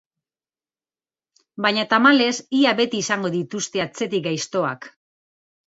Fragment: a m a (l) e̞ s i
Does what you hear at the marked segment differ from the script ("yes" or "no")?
no